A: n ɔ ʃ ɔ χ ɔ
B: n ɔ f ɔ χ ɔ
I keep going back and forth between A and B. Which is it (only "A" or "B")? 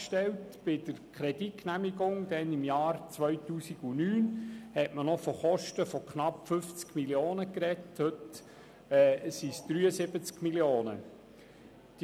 B